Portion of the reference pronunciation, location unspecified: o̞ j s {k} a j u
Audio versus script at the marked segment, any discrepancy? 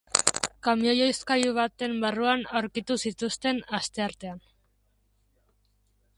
no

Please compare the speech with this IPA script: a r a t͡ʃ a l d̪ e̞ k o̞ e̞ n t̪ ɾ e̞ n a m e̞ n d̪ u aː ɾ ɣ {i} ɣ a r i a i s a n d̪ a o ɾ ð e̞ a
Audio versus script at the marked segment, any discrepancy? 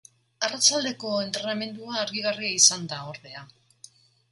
no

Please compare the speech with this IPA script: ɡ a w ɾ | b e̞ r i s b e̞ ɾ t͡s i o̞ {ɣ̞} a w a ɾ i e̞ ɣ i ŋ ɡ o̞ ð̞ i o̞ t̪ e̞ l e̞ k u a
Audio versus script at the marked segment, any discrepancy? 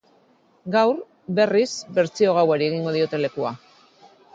no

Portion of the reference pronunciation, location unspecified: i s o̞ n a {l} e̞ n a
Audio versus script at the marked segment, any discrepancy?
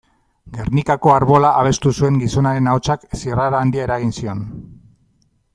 yes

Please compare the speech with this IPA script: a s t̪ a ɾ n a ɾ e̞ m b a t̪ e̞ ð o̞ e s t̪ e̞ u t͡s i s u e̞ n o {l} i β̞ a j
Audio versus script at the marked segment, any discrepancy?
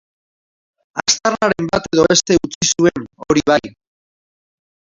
yes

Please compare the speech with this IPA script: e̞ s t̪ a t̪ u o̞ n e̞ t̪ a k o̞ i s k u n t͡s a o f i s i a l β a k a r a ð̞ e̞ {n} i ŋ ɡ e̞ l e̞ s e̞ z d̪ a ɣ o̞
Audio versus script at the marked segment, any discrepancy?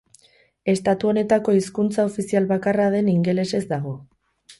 no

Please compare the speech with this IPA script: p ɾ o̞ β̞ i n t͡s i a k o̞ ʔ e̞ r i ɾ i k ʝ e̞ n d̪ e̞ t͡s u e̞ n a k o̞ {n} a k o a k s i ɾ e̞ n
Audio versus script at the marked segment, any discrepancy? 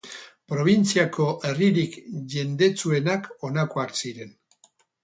no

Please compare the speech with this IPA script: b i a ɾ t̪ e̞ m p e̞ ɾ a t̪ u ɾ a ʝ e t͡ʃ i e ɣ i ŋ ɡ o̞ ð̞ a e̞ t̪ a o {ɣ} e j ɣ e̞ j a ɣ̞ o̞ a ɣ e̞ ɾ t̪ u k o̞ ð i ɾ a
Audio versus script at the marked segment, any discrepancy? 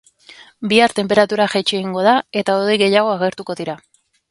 yes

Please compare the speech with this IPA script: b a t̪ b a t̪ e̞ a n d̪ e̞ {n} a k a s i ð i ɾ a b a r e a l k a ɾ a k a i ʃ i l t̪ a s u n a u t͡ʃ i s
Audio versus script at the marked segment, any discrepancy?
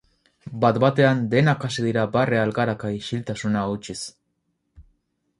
no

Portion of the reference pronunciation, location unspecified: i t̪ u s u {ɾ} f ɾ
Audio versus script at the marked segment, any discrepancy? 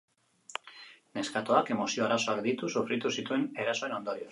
yes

